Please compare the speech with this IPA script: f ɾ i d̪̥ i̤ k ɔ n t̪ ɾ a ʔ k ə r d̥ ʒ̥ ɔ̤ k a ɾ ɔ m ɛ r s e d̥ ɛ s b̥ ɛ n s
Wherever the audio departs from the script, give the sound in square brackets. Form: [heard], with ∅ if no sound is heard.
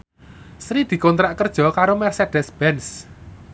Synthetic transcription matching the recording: [s] ɾ i d̪̥ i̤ k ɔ n t̪ ɾ a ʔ k ə r d̥ ʒ̥ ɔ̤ k a ɾ [o] m ɛ r s e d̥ ɛ s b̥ ɛ n s